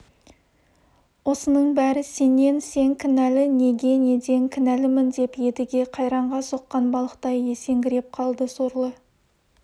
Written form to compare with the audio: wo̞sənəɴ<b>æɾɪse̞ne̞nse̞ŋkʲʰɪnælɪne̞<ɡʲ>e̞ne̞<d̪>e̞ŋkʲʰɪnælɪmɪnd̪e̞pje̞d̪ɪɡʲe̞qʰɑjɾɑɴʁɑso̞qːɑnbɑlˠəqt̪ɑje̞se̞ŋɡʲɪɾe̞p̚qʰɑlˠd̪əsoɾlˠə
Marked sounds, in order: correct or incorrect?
correct, correct, correct

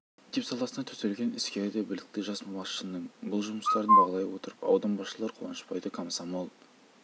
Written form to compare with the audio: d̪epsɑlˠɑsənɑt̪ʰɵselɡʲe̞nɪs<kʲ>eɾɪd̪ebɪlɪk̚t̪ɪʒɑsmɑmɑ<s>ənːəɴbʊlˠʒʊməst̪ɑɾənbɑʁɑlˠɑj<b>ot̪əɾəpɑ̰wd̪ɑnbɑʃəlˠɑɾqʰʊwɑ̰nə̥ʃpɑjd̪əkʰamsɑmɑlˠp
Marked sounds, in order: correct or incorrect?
correct, incorrect: ʃ, incorrect: w

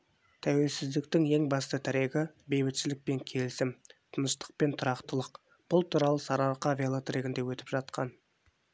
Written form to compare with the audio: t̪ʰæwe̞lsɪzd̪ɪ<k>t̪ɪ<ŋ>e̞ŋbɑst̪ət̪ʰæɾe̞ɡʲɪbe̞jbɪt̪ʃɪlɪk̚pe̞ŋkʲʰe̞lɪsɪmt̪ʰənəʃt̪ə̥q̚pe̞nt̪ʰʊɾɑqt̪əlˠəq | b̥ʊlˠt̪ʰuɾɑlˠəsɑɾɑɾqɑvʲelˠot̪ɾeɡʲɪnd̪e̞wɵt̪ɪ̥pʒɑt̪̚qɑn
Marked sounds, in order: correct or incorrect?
correct, correct

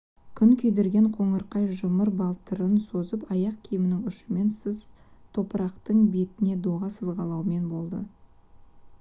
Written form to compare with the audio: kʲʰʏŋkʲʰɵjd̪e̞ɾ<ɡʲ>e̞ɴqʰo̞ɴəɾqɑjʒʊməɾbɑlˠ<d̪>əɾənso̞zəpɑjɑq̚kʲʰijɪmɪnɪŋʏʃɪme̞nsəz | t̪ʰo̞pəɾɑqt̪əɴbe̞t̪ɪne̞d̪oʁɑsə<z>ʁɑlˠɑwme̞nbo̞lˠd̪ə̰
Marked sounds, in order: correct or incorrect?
correct, incorrect: t̪, correct

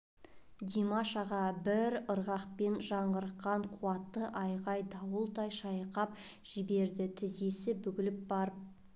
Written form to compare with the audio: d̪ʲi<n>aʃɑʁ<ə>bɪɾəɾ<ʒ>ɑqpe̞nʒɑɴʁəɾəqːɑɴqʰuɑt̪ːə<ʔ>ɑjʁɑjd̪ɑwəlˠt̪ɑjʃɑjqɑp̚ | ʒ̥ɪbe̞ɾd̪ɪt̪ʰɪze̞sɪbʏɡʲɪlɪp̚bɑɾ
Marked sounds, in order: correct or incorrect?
incorrect: m, incorrect: ɑ, incorrect: ʁ, correct

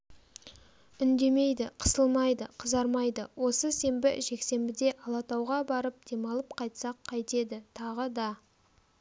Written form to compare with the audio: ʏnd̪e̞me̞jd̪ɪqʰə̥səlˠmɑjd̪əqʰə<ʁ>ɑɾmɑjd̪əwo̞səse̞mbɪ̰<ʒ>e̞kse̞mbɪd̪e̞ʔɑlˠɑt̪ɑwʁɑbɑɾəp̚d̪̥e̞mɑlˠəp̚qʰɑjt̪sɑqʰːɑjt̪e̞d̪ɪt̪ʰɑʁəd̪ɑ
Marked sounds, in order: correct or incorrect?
incorrect: z, correct

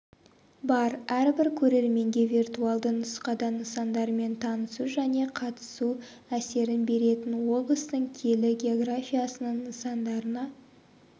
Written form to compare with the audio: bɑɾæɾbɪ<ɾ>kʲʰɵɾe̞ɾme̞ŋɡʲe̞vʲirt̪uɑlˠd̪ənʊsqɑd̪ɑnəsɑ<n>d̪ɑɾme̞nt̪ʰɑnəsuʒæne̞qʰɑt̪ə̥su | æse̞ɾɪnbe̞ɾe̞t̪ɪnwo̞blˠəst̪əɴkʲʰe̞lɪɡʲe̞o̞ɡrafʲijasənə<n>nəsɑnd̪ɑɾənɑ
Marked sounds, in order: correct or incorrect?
correct, correct, incorrect: ɴ

